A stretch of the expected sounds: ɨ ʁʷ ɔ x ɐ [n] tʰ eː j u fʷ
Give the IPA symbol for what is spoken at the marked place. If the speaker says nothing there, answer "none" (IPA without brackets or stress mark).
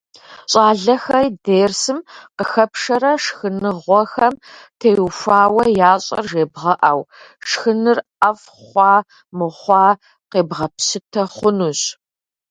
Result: m